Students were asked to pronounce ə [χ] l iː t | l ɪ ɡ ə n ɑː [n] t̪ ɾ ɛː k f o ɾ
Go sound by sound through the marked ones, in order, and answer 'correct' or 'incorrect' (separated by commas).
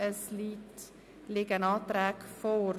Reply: incorrect, incorrect